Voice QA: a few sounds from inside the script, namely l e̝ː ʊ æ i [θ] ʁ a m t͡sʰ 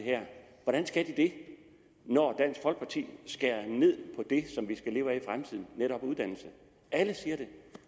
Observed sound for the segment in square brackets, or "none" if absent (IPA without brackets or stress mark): f